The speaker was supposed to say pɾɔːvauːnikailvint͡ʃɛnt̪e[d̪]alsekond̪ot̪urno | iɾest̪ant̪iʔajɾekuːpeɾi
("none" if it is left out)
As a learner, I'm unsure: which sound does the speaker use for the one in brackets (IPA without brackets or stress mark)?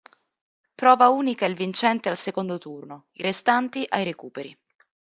none